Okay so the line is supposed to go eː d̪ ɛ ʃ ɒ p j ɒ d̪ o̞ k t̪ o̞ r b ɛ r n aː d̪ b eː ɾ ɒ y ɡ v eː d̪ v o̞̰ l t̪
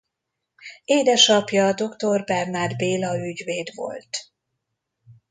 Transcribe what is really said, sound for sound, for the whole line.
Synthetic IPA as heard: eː d̪ ɛ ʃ ɒ p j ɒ d̪ o̞ k t̪ o̞ r b ɛ r n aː d̪ b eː l ɒ y ɟ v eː d̪ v o̞̰ l t̪